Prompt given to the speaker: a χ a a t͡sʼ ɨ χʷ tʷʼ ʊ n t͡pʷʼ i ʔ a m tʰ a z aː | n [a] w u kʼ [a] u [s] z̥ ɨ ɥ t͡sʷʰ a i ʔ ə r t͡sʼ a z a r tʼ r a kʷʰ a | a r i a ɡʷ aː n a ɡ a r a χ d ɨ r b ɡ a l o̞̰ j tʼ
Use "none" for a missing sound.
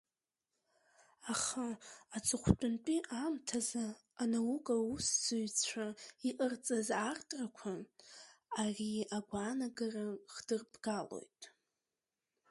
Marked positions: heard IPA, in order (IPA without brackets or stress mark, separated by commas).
a, a, s